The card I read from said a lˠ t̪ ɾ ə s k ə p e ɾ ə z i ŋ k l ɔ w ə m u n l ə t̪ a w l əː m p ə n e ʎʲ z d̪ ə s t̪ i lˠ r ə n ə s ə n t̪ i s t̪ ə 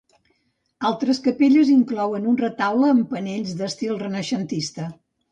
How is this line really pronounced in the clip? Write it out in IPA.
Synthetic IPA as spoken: a lˠ t̪ ɾ ə s k ə p e ʎ ə z i ŋ k l ɔ w ə n u n r ə t̪ a w l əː m p ə n e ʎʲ z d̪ ə s t̪ i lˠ r ə n ə ʃ ə n t̪ i s t̪ ə

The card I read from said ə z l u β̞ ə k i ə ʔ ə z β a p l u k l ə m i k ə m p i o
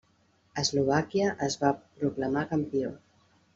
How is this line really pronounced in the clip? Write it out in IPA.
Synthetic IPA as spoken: ə z l u β̞ a k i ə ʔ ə z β a p ɾ u k l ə m a k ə m p i o

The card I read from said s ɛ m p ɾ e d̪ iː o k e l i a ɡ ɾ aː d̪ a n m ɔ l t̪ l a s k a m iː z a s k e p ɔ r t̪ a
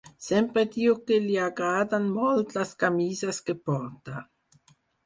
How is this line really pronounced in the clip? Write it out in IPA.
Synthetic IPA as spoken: s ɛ m p ɾ e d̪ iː o k e l i a ɡ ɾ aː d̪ a n m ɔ l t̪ l a s k a m iː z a s k e p ɔ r t̪ a

